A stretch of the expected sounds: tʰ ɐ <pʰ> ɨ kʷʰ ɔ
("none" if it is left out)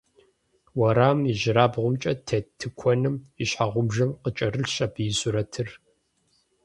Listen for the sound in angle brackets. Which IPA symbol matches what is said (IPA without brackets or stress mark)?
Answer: tʰ